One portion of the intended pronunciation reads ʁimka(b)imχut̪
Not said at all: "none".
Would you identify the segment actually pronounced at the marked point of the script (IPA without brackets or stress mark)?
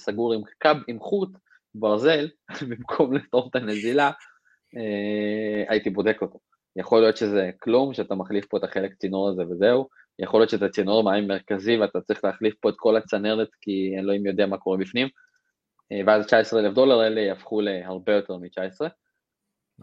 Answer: b